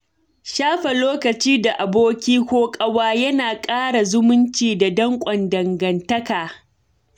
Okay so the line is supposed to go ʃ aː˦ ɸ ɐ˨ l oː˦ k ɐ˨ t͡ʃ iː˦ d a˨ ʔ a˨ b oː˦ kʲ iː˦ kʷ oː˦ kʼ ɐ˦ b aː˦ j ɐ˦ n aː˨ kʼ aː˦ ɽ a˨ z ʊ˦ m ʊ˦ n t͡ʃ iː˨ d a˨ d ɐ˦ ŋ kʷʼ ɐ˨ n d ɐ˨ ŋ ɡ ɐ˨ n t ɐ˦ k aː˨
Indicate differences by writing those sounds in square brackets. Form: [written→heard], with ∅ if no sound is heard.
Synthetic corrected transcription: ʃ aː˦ ɸ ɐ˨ l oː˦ k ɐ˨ t͡ʃ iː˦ d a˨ ʔ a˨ b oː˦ kʲ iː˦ kʷ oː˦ kʼ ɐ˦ [b→w] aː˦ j ɐ˦ n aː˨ kʼ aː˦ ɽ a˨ z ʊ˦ m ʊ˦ n t͡ʃ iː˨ d a˨ d ɐ˦ ŋ kʷʼ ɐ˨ n d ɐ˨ ŋ ɡ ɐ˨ n t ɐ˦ k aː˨